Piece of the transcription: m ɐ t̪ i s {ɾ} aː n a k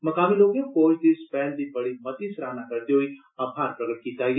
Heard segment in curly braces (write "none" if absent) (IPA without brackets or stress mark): ɾ